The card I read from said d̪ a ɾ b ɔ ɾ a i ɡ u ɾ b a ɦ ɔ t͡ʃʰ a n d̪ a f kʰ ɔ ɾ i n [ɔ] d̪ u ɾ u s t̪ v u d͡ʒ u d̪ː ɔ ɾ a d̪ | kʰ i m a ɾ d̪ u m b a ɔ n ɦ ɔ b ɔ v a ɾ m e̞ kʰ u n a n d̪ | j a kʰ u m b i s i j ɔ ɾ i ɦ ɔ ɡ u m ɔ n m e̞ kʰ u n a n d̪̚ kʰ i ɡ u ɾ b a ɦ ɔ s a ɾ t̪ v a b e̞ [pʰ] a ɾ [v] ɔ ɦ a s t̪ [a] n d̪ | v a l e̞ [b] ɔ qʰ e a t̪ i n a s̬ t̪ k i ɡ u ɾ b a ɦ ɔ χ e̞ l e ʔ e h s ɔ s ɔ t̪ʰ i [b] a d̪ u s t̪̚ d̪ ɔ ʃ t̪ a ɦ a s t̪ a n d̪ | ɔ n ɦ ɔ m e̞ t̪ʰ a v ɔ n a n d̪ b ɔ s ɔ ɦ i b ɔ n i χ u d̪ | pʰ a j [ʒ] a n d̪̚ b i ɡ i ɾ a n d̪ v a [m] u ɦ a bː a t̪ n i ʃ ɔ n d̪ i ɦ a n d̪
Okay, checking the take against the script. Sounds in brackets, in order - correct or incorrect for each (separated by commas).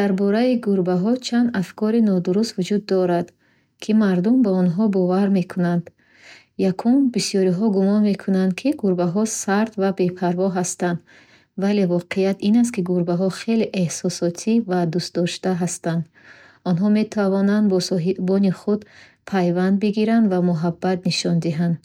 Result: correct, correct, correct, correct, incorrect, incorrect, incorrect, correct